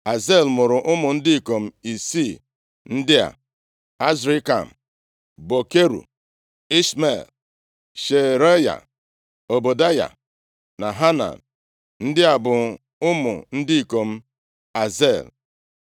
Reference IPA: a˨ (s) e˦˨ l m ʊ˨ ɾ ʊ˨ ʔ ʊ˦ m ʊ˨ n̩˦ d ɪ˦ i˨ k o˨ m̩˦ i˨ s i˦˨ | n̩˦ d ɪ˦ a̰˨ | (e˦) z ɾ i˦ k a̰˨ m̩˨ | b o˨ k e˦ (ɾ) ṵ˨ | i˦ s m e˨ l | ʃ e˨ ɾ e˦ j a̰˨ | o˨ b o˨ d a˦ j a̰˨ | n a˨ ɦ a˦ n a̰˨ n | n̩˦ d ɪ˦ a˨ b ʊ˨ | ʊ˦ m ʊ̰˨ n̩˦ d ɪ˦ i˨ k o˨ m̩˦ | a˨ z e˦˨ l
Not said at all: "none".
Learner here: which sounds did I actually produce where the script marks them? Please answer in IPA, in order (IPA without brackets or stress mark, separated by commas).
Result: z, a˦, ɾ